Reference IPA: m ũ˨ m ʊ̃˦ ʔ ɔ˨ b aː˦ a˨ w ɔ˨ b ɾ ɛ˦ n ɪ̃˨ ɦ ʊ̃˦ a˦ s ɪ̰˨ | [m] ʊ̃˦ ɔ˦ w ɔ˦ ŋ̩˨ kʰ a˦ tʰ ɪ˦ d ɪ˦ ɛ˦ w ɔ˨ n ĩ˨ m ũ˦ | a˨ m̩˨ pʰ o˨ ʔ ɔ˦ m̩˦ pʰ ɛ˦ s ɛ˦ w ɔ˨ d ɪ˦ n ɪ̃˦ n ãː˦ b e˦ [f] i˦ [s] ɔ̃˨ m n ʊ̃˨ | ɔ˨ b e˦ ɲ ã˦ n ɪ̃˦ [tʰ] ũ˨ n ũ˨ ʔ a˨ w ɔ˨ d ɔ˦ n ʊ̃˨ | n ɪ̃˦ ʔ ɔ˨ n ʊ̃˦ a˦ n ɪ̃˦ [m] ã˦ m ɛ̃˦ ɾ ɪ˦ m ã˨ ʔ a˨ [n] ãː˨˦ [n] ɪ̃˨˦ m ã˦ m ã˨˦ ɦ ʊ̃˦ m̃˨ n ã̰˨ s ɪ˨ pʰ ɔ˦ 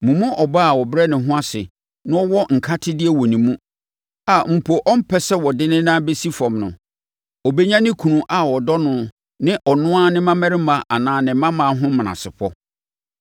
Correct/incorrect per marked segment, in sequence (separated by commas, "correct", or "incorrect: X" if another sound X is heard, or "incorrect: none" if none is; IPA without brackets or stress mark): incorrect: n, incorrect: s, incorrect: f, incorrect: kʰ, correct, correct, correct